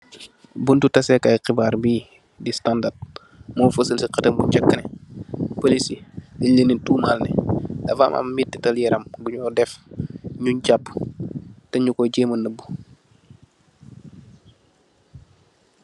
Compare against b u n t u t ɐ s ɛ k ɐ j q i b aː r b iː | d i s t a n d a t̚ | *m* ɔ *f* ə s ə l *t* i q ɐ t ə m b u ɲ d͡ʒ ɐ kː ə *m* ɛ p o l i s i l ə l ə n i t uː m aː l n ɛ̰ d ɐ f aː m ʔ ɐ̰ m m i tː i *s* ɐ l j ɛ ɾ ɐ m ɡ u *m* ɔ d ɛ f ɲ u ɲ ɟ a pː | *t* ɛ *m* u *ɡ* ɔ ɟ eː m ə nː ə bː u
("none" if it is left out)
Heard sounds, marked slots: m, f, s, n, t, ɲ, t, ɲ, k

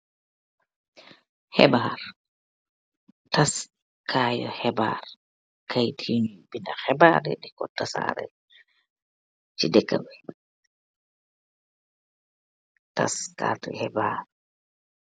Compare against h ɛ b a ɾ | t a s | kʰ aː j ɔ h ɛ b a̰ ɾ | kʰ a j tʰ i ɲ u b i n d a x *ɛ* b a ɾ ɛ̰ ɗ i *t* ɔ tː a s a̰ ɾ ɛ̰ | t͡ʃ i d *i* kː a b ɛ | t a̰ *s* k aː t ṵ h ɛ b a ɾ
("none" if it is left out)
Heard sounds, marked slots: ɛ, k, ɛ, s

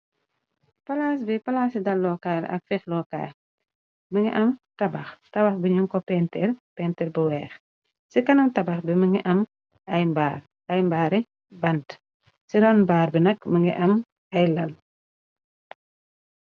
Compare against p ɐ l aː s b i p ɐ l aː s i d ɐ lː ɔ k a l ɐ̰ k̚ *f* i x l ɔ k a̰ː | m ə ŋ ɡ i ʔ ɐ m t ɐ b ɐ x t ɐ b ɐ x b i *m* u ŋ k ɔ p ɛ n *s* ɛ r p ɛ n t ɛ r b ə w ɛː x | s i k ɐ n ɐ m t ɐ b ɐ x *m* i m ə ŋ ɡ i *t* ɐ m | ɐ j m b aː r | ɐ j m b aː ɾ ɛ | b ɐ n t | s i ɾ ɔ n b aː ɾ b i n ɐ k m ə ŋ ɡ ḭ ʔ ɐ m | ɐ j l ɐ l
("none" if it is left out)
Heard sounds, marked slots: f, ɲ, t, b, ʔ

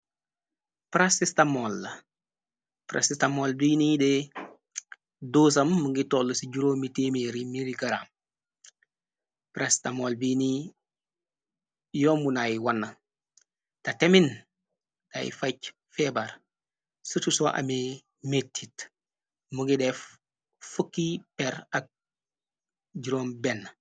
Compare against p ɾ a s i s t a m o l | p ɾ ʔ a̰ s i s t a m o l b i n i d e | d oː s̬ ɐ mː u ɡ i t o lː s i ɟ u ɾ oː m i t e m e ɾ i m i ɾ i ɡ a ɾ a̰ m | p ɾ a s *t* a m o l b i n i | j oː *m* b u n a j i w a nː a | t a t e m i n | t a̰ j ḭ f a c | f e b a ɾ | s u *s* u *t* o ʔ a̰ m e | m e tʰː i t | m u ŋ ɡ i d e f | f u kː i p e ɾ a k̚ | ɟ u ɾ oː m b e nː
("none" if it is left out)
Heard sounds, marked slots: t, m, t, s

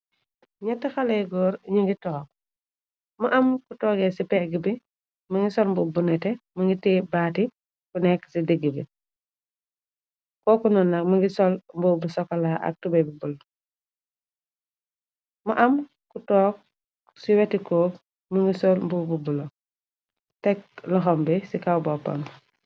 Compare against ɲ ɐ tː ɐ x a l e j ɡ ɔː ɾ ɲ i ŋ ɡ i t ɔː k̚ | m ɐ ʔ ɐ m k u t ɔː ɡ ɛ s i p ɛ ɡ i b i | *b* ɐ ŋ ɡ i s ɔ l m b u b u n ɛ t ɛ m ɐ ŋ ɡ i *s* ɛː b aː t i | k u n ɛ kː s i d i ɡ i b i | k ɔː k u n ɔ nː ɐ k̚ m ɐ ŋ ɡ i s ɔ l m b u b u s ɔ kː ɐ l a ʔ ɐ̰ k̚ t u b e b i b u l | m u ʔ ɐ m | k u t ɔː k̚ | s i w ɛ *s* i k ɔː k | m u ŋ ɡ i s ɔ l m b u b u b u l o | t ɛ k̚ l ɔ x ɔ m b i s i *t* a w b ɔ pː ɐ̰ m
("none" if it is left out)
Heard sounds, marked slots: m, t, t, k

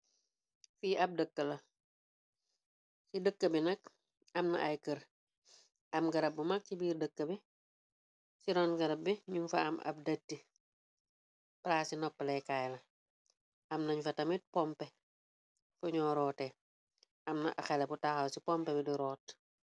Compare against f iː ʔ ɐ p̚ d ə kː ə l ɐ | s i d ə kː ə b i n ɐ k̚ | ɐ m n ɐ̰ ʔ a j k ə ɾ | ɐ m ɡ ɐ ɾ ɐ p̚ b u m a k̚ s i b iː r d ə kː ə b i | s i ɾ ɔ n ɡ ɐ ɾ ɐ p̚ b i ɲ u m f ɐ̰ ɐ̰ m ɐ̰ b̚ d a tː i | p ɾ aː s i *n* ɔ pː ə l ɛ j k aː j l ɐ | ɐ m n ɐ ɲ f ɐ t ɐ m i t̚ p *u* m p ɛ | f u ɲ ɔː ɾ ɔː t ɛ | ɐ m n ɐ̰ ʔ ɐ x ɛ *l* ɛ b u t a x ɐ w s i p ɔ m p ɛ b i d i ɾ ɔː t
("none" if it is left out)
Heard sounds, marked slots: n, ɔ, l

